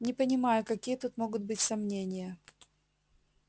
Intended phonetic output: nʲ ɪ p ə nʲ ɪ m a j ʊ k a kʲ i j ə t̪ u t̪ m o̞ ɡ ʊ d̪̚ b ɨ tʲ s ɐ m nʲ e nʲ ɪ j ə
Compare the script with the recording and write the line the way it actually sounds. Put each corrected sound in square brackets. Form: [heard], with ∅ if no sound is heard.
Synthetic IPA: nʲ ɪ p ə nʲ ɪ m a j ʊ k [ɐ] kʲ i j ə t̪ u t̪ m o̞ ɡ ʊ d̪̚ b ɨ tʲ s ɐ m nʲ e nʲ ɪ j ə